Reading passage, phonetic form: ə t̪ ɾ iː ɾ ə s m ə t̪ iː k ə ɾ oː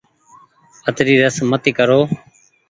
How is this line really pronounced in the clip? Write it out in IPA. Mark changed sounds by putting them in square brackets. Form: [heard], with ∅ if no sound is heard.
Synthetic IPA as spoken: ə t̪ ɾ iː ɾ ə s m ə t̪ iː k ə ɾ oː